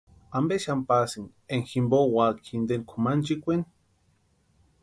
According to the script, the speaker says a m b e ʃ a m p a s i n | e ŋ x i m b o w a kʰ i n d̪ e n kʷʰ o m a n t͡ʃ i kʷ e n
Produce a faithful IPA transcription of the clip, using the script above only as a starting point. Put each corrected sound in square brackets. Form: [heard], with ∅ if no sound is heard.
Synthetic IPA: a m b e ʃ a m p a s i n | e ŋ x i m b o w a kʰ i n d̪ e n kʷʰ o m a n t͡ʃ i kʷ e n